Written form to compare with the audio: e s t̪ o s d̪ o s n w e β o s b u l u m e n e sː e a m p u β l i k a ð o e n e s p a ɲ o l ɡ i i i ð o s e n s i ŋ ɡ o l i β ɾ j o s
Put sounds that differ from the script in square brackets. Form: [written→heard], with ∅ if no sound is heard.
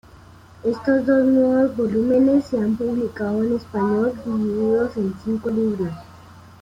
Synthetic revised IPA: e s t̪ o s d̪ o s n w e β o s b [u→o] l u m e n e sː e a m p u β l i k a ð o e n e s p a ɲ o l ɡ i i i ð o s e n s i ŋ [ɡ→k] o l i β ɾ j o s